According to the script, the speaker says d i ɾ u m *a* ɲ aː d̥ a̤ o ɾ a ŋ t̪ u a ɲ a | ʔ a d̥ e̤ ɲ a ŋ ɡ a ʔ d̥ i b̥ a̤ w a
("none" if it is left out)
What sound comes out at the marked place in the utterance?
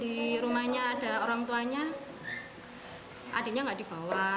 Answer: a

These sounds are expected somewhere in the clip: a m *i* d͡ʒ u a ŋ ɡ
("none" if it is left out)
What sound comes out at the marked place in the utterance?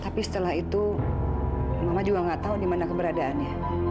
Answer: a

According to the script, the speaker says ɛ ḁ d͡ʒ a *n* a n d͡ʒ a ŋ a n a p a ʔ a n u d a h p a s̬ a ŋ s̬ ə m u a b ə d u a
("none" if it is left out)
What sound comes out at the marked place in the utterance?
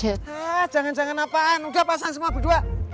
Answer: ŋ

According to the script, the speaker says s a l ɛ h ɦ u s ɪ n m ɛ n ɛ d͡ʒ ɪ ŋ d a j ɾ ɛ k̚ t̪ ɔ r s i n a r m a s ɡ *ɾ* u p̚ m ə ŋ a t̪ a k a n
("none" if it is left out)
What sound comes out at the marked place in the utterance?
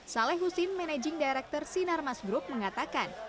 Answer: ɾ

